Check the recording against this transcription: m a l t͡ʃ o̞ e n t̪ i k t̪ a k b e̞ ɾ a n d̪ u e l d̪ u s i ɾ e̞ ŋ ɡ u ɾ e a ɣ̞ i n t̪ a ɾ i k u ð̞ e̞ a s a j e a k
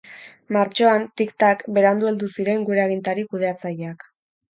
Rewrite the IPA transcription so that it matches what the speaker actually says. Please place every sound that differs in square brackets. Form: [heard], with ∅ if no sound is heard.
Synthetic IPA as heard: m a [ɾ] t͡ʃ o̞ [a] n t̪ i k t̪ a k b e̞ ɾ a n d̪ u e l d̪ u s i ɾ e̞ ŋ ɡ u ɾ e a ɣ̞ i n t̪ a ɾ i k u ð̞ e̞ a [t͡s] a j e a k